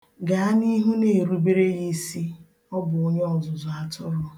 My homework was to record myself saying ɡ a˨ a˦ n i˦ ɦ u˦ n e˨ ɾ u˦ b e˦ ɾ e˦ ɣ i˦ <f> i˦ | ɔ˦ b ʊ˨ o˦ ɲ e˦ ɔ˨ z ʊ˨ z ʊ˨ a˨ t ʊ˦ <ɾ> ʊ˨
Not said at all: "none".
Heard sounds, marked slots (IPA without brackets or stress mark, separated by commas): s, ɾ